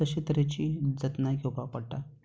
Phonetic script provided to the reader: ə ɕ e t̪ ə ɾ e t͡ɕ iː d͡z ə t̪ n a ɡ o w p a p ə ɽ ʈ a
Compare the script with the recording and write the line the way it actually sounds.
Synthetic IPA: ə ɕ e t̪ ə ɾ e t͡ɕ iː d͡z ə t̪ n a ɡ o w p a p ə ɽ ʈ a